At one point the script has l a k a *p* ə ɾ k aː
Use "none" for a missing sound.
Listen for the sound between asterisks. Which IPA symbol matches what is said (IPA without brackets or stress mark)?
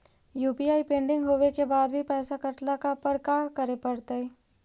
p